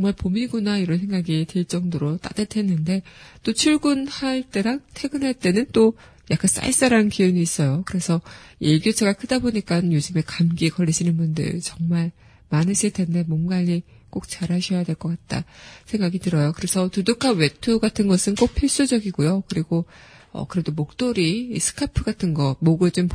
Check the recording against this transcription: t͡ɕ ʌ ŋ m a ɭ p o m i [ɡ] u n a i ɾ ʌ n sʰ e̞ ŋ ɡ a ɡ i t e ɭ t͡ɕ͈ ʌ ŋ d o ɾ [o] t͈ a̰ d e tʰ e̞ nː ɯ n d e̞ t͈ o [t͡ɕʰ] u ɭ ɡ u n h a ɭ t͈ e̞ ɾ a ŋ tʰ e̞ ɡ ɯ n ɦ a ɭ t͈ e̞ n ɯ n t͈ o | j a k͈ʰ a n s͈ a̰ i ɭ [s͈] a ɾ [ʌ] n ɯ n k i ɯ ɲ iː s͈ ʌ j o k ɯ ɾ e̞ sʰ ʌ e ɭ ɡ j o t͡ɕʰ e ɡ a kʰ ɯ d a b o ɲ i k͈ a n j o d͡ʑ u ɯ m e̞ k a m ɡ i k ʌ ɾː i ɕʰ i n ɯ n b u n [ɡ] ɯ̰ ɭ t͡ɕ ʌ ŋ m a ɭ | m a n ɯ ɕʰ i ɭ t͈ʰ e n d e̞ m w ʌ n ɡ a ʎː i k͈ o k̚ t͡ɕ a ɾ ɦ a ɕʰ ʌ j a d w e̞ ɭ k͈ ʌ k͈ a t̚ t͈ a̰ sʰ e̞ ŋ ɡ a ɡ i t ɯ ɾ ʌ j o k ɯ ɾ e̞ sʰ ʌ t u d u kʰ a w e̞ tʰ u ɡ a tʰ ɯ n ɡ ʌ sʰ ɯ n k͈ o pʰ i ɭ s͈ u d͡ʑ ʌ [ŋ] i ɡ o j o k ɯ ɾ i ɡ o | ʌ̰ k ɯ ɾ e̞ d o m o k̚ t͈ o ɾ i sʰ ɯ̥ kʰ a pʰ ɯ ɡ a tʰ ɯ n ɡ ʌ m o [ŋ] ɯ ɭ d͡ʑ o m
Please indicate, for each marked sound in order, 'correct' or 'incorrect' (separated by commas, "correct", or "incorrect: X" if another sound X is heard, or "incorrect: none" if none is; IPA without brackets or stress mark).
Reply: correct, correct, correct, correct, incorrect: a, incorrect: d, incorrect: ɡ, incorrect: ɡ